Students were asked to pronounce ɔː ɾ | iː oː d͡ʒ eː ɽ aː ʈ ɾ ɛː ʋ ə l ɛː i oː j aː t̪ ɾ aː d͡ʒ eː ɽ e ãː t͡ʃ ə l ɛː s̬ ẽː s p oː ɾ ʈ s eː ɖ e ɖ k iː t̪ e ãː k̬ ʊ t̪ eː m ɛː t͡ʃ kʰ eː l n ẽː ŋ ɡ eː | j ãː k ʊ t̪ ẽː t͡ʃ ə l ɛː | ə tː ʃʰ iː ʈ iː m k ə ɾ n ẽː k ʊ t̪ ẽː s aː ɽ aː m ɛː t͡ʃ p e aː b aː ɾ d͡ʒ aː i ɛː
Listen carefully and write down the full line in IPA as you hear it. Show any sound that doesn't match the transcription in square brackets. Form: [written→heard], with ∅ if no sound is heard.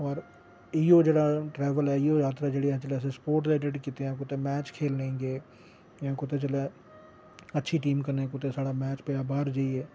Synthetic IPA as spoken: ɔː ɾ | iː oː d͡ʒ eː ɽ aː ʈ ɾ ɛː ʋ ə l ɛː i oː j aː t̪ ɾ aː d͡ʒ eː ɽ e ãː t͡ʃ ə l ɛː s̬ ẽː s p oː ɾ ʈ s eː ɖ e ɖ k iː t̪ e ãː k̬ ʊ t̪ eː m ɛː t͡ʃ kʰ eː l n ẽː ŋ ɡ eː | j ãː k ʊ t̪ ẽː t͡ʃ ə l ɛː | ə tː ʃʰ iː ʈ iː m k ə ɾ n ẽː k ʊ t̪ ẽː s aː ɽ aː m ɛː t͡ʃ p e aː b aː ɾ d͡ʒ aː i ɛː

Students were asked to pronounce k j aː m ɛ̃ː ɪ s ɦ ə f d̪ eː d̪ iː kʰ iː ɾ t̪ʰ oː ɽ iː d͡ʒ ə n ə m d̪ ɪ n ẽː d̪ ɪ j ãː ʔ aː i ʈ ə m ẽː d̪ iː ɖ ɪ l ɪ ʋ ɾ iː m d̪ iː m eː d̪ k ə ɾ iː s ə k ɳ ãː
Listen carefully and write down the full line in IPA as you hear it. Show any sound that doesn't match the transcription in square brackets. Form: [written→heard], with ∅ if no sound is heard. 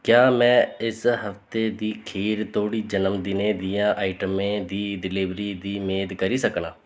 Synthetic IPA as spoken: k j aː m ɛ̃ː ɪ s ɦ ə f [d̪→t̪] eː d̪ iː kʰ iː ɾ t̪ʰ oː ɽ iː d͡ʒ ə n ə m d̪ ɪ n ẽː d̪ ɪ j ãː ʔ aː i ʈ ə m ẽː d̪ iː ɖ ɪ l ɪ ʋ ɾ iː [m→∅] d̪ iː m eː d̪ k ə ɾ iː s ə k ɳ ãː

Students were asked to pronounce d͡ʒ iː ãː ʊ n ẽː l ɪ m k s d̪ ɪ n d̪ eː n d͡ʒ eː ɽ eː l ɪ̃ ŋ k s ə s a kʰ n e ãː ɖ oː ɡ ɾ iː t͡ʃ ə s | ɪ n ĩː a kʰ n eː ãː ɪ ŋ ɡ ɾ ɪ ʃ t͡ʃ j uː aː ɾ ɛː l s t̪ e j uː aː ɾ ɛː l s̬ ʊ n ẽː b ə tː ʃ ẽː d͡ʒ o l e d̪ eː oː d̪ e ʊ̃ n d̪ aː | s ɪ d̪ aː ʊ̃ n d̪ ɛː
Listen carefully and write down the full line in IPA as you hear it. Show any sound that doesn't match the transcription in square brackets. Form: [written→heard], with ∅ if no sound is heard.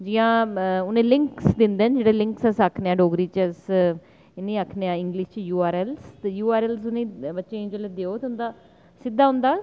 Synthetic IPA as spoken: d͡ʒ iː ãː ʊ n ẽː l ɪ [m→ŋ] k s d̪ ɪ n d̪ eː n d͡ʒ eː ɽ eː l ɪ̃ ŋ k s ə s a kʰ n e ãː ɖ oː ɡ ɾ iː t͡ʃ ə s | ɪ n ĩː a kʰ n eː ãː ɪ ŋ ɡ [ɾ→l] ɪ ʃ t͡ʃ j uː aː ɾ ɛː l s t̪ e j uː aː ɾ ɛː l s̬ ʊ n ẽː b ə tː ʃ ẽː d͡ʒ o l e d̪ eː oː [d̪→t̪] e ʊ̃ n d̪ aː | s ɪ d̪ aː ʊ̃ n d̪ [ɛː→aː]

